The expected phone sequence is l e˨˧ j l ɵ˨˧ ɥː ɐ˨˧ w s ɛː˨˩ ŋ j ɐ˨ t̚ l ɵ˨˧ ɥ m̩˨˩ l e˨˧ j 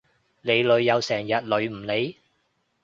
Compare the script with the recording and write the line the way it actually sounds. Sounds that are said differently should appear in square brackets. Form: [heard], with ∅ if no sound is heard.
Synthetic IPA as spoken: l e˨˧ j l ɵ˨˧ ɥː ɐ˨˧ w s ɛː˨˩ ŋ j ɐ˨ t̚ l ɵ˨˧ ɥ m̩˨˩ l e˨˧ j